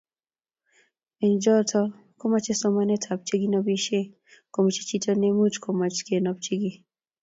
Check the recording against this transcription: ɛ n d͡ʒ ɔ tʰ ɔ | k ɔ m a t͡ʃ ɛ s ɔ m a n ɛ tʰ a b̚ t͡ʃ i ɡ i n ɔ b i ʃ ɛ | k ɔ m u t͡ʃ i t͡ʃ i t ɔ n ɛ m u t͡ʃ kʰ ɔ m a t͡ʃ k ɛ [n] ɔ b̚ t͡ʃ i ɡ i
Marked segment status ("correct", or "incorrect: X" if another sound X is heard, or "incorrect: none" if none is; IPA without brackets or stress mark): correct